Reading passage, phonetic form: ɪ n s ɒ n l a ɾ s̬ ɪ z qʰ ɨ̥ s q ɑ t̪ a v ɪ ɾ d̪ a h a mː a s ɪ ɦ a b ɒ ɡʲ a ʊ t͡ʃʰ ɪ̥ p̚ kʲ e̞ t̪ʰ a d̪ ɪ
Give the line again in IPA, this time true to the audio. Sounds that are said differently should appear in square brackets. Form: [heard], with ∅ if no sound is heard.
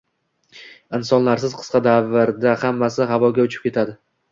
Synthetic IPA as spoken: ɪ n s ɒ n l a ɾ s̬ ɪ z qʰ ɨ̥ s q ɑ [d̪] a v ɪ ɾ d̪ a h a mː a s ɪ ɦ a [v] ɒ ɡʲ a ʊ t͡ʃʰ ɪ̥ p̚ kʲ e̞ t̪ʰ a d̪ ɪ